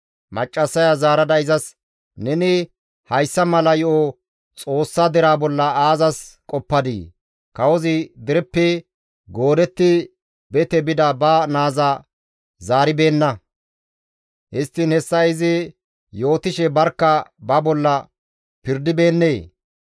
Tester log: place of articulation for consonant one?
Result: labial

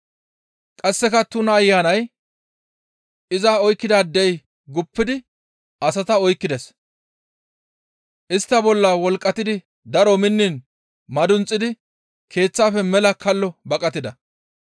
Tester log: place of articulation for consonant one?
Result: velar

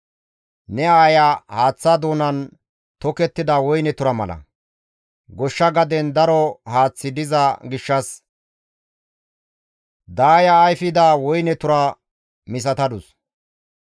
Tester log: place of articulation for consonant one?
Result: alveolar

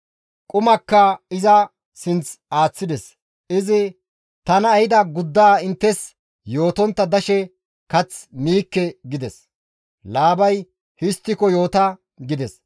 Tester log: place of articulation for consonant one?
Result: velar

